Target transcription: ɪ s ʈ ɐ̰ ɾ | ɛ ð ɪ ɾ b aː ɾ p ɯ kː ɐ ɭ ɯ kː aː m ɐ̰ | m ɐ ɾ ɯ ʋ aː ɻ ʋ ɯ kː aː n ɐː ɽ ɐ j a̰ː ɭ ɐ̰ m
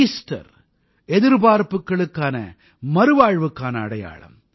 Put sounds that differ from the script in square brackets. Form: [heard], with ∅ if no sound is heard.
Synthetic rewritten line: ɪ s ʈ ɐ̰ ɾ | ɛ ð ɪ ɾ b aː ɾ p ɯ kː ɐ ɭ ɯ kː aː [n] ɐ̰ | m ɐ ɾ ɯ ʋ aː ɻ ʋ ɯ kː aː n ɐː ɽ ɐ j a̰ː ɭ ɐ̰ m